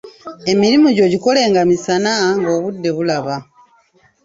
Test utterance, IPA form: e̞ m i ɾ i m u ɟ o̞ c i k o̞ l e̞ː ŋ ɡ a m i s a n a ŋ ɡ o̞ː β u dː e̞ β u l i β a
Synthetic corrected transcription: e̞ m i ɾ i m u ɟ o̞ ɟ i k o̞ l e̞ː ŋ ɡ a m i s a n a ŋ ɡ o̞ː β u dː e̞ β u l a β a